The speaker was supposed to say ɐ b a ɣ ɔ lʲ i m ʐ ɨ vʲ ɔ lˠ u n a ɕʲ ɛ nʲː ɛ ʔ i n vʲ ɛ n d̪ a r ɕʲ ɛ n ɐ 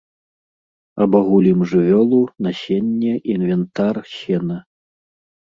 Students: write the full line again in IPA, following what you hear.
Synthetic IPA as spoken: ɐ b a ɣ u lʲ i m ʐ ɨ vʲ ɔ lˠ u n a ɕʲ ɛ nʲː ɛ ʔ i n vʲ ɛ n t̪ a r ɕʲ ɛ n ɐ